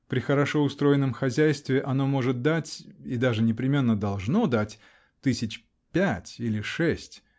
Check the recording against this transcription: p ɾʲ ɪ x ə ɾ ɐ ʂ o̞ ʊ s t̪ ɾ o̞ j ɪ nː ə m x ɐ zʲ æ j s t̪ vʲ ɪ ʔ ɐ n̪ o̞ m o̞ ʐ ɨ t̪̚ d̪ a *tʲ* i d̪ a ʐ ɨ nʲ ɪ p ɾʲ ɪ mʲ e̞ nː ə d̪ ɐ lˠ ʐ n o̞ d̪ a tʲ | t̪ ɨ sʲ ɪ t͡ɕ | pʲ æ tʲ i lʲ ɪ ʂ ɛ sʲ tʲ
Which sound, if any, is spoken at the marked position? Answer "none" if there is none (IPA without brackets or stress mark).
tʲ